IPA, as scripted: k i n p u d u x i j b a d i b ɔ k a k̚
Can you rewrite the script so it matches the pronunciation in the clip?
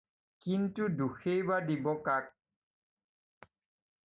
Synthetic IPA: k i n t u d u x e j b a d i b ɔ k a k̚